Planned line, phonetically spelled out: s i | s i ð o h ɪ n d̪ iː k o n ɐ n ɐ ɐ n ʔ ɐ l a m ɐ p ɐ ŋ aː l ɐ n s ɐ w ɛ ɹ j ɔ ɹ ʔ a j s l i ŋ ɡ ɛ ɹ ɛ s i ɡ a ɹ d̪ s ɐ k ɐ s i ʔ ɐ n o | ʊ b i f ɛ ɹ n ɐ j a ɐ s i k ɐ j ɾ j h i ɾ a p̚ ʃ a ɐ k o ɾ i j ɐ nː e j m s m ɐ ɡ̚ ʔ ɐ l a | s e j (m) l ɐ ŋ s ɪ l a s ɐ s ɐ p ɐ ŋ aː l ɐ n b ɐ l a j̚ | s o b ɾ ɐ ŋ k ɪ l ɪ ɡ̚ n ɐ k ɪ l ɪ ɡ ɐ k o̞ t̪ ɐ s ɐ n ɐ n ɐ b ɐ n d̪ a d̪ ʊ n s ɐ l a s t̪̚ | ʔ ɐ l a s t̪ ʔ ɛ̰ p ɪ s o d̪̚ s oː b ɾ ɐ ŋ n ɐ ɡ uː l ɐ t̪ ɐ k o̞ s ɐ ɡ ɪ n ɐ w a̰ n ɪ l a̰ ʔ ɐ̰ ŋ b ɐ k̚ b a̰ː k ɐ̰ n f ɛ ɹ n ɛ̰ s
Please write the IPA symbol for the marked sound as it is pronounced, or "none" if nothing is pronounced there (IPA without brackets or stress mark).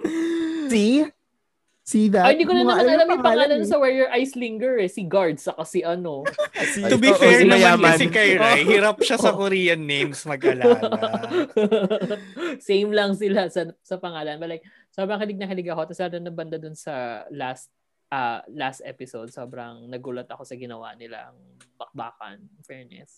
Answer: m